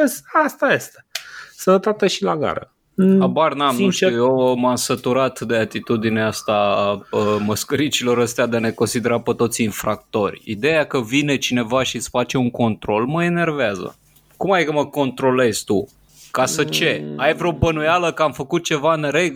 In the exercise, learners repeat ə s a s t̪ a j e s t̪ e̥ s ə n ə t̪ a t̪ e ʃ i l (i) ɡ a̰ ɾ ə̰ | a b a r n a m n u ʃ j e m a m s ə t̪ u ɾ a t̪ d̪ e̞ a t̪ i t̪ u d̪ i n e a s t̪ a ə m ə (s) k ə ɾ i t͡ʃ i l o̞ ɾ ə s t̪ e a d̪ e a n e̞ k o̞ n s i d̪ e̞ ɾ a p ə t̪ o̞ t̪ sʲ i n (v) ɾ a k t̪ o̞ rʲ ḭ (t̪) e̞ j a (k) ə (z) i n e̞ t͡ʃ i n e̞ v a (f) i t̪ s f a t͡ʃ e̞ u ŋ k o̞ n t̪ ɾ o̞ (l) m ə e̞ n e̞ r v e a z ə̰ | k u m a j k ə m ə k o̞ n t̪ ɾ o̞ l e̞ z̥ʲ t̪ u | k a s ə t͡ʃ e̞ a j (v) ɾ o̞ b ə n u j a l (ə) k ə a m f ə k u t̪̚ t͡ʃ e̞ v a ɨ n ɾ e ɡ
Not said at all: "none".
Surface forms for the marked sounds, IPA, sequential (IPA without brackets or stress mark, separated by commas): a, s, f, d̪, k, v, ʃ, l, v, ə